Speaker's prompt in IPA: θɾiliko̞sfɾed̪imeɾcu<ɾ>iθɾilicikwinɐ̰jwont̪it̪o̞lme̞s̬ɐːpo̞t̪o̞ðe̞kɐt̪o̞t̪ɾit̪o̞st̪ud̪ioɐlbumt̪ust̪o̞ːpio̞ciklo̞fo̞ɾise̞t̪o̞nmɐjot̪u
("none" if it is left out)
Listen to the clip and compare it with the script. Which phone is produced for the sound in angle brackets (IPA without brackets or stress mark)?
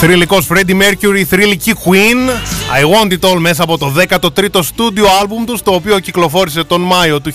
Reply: ɾ